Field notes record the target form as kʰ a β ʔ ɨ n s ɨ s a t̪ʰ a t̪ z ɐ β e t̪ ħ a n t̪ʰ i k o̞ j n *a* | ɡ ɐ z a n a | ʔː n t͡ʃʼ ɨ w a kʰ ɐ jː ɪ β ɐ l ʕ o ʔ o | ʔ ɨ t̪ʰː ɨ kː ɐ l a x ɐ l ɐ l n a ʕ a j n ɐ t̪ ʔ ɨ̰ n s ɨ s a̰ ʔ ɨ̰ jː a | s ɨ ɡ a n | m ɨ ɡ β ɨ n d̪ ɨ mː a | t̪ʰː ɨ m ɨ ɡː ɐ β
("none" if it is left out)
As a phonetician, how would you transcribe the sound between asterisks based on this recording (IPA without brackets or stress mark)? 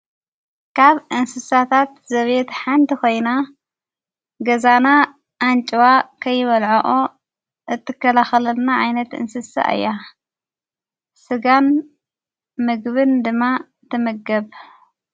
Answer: a